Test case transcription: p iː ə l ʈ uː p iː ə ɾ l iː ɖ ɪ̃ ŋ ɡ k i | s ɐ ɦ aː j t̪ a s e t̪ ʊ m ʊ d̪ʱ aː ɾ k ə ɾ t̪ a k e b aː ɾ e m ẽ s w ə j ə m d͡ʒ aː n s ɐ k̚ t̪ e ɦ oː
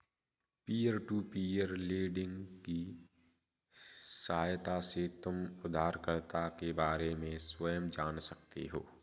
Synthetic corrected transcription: p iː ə ɾ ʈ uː p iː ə ɾ l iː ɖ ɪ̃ ŋ ɡ k i | s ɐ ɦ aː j t̪ a s e t̪ ʊ m ʊ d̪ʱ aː ɾ k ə ɾ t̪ a k e b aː ɾ e m ẽ s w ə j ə m d͡ʒ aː n s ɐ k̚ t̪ e ɦ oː